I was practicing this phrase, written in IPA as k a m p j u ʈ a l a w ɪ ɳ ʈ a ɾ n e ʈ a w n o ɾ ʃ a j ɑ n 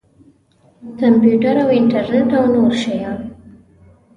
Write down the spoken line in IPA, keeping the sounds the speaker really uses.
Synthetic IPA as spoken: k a m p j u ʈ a ɾ a w ɪ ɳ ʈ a ɾ n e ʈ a w n o ɾ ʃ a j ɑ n